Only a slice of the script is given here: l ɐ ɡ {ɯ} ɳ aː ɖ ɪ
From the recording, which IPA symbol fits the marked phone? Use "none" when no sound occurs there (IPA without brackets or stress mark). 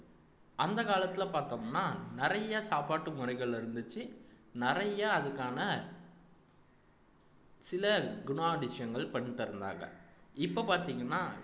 ʊ